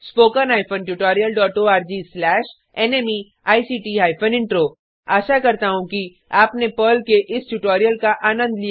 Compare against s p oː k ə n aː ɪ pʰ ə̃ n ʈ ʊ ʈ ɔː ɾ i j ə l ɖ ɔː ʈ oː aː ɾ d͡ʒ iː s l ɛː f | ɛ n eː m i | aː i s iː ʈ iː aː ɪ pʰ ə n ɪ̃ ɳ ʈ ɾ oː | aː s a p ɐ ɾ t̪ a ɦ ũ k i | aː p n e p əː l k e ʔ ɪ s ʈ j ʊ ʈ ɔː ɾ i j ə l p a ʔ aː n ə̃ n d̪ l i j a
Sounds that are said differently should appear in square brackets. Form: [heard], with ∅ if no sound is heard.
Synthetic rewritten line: s p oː k ə n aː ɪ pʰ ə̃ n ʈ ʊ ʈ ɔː ɾ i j ə l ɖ ɔː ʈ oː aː ɾ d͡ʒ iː s l ɛː [ʃ] | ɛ n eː m i | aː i s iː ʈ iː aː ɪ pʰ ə n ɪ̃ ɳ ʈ ɾ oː | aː [ʃ] a [k] ɐ ɾ t̪ a ɦ ũ k i | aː p n e p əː l k e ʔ ɪ s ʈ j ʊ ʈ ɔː ɾ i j ə l [k] a ʔ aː n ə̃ n d̪ l i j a